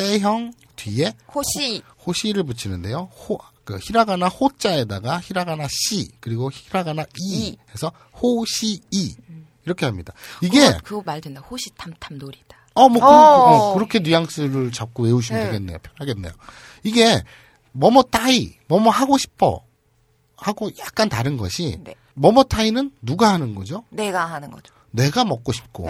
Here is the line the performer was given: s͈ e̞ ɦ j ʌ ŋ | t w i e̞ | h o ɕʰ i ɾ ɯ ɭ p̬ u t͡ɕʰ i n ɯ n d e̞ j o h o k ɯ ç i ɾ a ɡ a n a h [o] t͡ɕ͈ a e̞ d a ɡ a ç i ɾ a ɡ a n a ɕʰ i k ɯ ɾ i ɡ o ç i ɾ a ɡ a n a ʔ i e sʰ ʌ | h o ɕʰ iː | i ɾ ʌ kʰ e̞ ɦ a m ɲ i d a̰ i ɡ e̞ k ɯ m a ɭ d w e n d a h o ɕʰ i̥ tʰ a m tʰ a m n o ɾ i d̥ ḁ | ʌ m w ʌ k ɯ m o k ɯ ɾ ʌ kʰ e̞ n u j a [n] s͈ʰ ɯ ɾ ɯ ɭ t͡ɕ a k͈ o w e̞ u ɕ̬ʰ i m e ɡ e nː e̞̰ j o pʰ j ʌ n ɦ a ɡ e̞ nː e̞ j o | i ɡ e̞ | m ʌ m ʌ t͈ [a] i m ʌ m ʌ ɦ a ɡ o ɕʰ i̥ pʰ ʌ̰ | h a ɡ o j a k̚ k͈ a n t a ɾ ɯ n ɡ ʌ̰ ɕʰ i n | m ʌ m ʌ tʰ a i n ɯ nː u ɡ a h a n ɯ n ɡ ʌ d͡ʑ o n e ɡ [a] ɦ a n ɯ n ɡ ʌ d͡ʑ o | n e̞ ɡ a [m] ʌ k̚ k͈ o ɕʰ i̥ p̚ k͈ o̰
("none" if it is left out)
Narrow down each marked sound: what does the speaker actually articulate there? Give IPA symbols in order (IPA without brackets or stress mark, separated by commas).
o, ŋ, a, a, m